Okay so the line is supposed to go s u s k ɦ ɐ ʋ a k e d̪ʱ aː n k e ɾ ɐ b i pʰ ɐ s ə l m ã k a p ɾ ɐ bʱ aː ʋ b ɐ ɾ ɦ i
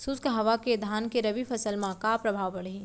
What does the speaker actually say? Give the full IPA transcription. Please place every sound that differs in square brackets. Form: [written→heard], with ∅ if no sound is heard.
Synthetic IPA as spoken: s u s k ɦ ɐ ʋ a k e d̪ʱ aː n k e ɾ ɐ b i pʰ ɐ s ə l m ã k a p ɾ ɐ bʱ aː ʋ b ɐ [ɾ→ɽ] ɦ i